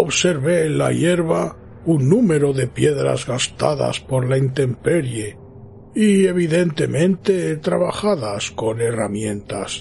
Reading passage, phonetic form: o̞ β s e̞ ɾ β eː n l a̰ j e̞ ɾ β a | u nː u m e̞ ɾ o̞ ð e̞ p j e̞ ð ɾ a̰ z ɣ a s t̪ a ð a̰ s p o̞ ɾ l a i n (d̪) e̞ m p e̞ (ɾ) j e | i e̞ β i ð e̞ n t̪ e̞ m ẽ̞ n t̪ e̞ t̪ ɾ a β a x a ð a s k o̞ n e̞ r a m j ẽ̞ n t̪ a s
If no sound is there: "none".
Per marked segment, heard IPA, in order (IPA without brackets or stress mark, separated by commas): t̪, ɾ